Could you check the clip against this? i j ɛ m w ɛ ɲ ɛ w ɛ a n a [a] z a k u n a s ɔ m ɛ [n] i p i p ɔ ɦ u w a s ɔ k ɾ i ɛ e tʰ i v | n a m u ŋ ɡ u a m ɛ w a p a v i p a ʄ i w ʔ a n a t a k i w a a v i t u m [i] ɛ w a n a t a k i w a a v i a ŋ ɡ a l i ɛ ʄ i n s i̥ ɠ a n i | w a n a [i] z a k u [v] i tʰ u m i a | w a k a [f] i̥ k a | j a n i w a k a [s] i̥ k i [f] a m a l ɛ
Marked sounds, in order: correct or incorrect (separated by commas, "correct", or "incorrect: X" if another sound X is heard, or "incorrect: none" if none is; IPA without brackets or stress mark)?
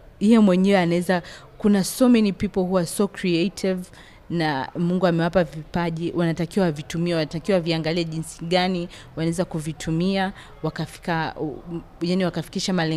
incorrect: ɛ, correct, correct, incorrect: ɛ, correct, correct, incorrect: f, incorrect: ʃ